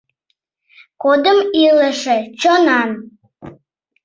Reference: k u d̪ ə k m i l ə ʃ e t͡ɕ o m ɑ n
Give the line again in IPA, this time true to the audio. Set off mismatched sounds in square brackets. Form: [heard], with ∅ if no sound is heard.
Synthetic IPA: k [o] d̪ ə [∅] m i l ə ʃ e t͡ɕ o [n] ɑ n